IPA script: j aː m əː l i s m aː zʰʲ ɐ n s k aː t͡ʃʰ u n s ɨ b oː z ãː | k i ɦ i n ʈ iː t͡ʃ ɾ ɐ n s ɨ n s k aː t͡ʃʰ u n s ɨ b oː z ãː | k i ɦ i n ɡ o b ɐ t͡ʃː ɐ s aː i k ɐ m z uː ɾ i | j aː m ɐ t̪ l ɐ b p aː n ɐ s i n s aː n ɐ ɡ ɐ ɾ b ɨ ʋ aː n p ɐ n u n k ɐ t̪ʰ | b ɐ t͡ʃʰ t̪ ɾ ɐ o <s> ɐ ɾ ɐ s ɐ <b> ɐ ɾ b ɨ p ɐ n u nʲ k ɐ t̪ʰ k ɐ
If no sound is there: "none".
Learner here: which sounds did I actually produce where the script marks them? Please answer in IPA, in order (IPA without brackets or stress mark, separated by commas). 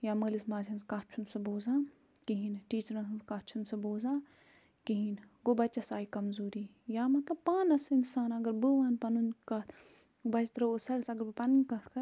s, ɡ